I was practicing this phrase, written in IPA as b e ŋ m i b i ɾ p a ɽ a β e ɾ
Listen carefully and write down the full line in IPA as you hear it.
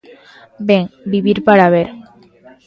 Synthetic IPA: b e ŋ b i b i ɾ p a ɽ a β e ɾ